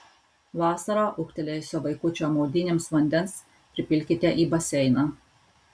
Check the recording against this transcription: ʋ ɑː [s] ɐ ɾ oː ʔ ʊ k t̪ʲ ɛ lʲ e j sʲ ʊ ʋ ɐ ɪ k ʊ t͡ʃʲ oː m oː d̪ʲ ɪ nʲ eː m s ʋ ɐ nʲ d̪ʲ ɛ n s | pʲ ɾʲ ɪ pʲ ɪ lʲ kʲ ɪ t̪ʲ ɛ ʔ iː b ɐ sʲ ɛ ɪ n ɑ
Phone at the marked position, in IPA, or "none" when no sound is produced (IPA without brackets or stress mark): s